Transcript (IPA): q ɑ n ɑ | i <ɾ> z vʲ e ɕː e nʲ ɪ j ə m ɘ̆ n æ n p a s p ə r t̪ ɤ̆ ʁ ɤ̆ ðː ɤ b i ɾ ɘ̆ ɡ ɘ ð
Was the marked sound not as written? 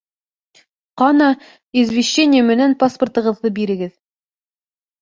yes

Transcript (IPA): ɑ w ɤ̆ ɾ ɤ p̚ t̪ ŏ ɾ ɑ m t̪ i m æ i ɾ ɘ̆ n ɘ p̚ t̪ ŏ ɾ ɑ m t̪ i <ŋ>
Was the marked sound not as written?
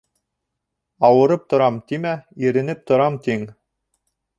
no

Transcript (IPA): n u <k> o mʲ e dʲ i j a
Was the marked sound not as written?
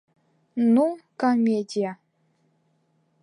no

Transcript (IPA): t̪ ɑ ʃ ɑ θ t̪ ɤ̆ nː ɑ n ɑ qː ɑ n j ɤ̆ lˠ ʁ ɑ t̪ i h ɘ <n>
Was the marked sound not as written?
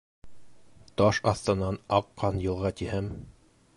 yes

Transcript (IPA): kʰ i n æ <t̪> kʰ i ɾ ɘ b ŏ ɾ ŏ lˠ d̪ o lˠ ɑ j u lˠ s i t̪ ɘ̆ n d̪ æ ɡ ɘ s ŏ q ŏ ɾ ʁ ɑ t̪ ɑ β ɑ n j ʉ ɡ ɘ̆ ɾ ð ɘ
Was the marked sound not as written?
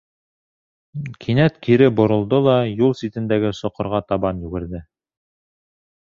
no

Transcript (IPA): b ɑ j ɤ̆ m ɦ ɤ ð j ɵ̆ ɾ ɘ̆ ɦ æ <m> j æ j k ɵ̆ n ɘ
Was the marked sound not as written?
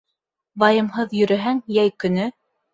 yes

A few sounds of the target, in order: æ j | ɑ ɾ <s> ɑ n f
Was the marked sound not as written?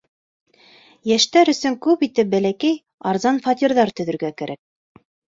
yes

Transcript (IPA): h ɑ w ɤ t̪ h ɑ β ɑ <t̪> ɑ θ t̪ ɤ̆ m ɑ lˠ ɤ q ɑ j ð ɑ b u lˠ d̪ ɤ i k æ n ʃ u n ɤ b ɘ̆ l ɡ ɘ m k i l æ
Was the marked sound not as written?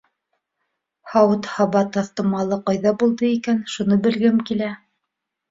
no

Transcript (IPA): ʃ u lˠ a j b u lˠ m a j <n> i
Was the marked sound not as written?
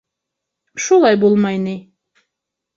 no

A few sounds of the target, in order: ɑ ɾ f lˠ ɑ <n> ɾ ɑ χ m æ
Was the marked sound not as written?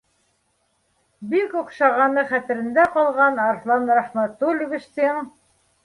no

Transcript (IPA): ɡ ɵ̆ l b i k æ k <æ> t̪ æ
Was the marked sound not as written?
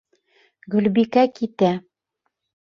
yes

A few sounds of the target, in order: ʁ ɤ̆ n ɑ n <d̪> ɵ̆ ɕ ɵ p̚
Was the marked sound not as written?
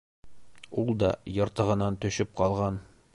yes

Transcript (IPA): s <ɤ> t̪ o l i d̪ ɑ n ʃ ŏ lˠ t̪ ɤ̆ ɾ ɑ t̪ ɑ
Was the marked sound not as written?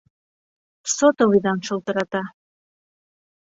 yes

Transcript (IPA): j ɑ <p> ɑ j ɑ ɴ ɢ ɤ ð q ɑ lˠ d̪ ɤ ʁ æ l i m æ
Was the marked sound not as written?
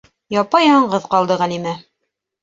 no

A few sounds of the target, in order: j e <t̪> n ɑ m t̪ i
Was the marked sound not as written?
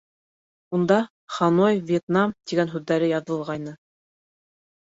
no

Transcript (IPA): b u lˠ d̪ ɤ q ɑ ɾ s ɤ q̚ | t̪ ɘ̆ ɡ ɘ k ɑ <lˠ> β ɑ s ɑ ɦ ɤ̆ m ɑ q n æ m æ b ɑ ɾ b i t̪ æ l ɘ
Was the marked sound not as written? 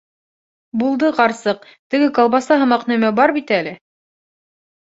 no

